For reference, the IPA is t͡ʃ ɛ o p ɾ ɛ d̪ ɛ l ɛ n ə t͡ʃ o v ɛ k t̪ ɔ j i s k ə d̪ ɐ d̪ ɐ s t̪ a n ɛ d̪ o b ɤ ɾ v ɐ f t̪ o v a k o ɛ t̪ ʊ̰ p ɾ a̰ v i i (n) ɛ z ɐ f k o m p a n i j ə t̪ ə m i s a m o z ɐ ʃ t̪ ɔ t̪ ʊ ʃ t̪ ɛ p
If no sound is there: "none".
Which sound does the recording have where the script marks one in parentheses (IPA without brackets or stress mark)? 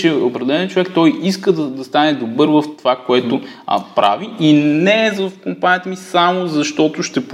n